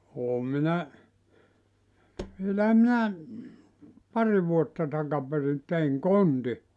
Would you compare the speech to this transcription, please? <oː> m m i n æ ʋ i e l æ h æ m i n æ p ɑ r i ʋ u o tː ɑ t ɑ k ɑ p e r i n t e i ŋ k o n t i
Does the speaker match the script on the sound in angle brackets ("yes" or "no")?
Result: yes